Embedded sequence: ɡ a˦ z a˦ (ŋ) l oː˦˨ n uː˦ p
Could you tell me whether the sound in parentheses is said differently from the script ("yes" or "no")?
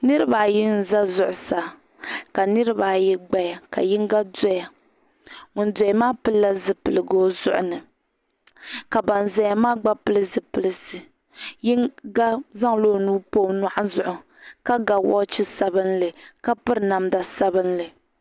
no